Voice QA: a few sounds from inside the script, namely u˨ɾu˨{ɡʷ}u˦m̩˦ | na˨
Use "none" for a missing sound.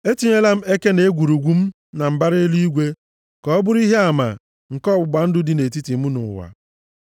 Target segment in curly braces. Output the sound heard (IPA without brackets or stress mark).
ɡʷ